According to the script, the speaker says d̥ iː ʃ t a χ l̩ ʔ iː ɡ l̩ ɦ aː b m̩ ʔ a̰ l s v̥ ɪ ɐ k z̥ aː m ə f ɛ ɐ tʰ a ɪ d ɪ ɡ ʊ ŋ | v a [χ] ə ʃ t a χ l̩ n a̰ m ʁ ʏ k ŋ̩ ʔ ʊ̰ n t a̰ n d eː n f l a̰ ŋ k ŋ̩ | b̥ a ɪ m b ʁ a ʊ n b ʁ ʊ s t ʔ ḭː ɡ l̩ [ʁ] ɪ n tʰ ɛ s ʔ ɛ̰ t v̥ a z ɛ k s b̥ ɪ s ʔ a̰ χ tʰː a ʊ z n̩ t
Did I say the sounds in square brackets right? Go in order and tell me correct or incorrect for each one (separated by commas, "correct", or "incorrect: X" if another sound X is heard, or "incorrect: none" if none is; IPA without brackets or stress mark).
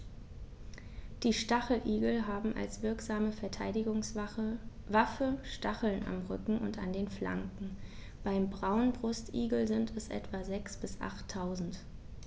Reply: incorrect: f, incorrect: z